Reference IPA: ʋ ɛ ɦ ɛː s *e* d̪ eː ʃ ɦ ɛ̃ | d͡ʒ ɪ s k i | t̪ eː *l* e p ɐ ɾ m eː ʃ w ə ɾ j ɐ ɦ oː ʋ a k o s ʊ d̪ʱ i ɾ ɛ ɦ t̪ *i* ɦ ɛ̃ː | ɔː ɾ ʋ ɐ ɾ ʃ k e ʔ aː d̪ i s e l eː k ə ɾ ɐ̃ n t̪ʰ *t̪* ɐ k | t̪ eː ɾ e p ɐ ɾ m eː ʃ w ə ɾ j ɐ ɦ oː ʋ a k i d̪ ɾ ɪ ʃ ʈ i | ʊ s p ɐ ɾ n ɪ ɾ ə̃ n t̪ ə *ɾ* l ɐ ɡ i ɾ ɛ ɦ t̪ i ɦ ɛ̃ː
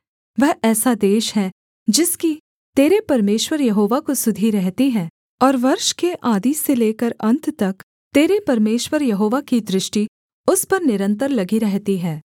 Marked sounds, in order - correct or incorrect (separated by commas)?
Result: incorrect, incorrect, correct, correct, correct